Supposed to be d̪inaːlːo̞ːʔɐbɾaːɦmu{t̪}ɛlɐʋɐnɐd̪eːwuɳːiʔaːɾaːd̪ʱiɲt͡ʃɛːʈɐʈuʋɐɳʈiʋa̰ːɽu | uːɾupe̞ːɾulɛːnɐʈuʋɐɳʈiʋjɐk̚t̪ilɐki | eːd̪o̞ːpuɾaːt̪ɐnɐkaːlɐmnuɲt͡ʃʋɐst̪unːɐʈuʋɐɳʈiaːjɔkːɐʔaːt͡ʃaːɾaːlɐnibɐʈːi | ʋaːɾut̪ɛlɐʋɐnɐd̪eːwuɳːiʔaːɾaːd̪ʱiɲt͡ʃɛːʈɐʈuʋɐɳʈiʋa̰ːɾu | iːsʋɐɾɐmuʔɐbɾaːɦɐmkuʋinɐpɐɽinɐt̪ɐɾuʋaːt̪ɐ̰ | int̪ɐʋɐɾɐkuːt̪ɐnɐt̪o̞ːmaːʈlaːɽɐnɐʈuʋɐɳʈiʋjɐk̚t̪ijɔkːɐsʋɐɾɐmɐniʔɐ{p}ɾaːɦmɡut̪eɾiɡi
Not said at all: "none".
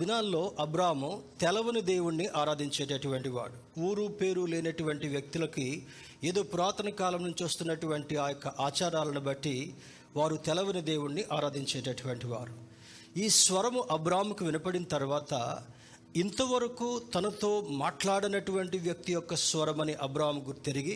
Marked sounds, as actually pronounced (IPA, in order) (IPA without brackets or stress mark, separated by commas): t̪, b